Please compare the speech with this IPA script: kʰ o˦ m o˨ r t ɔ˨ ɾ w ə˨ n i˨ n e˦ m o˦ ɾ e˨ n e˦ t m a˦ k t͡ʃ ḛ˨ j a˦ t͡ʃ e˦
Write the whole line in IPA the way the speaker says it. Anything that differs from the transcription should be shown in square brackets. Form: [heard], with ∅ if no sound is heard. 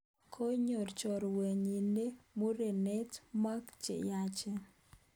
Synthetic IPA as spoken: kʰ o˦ [ɲ] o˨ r [t͡ʃ] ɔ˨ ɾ w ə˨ [ɲ] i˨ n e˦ m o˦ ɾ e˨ n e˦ t m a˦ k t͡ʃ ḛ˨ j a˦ t͡ʃ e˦